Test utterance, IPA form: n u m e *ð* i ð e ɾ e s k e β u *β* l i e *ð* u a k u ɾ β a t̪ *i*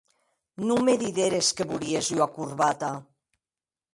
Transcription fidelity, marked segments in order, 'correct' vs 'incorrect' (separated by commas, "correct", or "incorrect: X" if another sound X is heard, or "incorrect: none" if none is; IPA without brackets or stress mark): correct, incorrect: none, incorrect: z, incorrect: a